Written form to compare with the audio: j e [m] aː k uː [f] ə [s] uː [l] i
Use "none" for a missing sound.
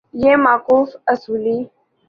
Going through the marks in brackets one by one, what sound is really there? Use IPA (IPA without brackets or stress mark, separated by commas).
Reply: m, f, s, l